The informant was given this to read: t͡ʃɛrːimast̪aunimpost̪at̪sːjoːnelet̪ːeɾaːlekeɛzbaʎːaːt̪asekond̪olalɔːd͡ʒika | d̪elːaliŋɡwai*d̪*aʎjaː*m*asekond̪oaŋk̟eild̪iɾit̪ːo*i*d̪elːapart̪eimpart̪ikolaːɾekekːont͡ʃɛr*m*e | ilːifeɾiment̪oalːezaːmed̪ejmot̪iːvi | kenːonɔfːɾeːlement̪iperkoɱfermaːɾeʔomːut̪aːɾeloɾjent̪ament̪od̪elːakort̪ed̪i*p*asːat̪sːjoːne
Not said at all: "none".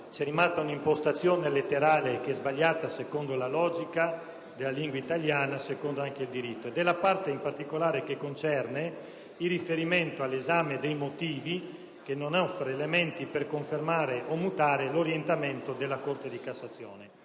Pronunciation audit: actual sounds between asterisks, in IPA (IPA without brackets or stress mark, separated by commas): t̪, n, e, n, k